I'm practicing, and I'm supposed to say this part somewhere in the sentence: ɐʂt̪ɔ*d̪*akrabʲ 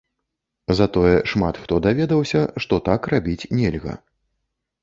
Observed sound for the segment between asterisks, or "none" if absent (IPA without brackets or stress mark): t̪